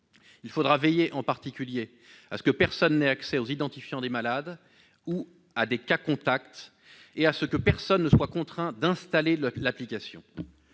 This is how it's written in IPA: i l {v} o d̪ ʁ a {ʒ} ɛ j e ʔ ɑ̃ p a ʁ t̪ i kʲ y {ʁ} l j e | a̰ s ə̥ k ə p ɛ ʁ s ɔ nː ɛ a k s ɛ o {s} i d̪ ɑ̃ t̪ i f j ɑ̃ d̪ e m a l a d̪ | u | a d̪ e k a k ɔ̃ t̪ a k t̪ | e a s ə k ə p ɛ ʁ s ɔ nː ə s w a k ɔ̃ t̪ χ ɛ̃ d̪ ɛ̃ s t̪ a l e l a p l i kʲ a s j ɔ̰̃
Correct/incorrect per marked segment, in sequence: incorrect: f, incorrect: v, incorrect: none, incorrect: z

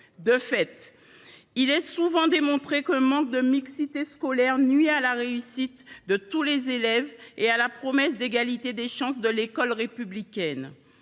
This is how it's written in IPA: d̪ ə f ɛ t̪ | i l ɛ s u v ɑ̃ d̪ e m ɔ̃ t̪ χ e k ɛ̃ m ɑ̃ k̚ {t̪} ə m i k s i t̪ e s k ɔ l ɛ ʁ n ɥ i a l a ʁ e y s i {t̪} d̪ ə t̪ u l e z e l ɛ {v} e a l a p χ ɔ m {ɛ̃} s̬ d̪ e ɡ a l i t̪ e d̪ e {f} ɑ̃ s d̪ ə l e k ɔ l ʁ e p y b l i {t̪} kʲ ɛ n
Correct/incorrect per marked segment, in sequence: incorrect: d̪, correct, correct, incorrect: ɛ, incorrect: ʃ, incorrect: none

